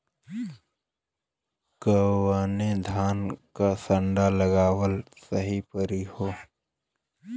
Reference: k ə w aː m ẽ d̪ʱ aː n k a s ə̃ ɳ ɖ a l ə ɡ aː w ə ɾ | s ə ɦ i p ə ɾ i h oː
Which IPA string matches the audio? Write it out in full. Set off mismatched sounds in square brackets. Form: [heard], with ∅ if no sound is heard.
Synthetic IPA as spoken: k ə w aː [n] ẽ d̪ʱ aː n k a s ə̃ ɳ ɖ a l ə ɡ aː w ə [l] | s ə ɦ i p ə ɾ i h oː